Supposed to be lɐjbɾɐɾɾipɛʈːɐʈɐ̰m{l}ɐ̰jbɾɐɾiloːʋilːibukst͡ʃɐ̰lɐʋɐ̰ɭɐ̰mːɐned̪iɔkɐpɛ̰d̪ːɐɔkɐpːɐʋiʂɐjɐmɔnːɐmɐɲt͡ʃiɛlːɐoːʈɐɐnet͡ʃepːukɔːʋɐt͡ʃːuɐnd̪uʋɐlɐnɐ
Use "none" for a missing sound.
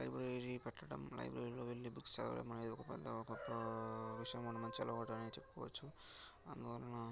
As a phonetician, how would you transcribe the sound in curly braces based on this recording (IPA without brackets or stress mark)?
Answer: l